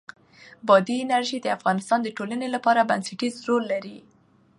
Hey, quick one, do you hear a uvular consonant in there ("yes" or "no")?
no